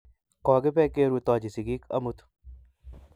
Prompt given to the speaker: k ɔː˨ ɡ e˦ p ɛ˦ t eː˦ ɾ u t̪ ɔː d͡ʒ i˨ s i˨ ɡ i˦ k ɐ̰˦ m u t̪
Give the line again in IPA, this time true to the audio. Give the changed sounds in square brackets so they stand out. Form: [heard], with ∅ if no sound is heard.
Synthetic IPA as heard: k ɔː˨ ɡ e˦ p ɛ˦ [k] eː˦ ɾ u t̪ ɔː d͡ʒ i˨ s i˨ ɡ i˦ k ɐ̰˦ m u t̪